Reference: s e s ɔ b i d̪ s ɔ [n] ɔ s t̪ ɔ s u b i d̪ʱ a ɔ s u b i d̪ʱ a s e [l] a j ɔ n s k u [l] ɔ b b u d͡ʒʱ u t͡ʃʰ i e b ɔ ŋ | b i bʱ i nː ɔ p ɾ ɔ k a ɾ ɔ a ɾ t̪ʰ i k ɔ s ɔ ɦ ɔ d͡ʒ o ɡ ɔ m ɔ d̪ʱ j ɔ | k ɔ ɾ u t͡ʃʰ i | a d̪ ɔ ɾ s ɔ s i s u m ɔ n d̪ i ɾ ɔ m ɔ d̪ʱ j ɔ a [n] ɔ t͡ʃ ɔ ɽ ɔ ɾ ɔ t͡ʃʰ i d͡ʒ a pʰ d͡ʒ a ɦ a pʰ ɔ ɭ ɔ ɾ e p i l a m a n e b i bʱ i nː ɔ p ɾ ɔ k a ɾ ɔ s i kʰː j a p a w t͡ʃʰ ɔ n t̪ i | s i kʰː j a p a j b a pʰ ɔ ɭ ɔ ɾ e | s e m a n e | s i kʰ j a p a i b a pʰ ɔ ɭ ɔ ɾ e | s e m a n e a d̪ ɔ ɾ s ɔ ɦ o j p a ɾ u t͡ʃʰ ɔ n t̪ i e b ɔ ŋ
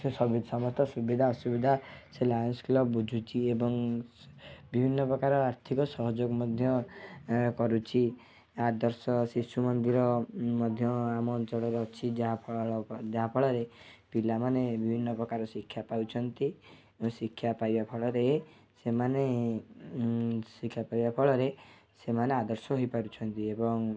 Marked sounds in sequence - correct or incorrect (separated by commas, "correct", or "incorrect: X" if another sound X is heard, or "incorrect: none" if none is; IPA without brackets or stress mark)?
incorrect: m, correct, correct, incorrect: m